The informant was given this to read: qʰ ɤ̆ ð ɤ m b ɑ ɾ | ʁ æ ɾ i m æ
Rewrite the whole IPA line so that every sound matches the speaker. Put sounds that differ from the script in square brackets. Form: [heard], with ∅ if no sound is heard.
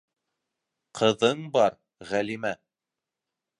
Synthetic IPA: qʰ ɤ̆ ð ɤ [ɴ] b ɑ ɾ | ʁ æ [l] i m æ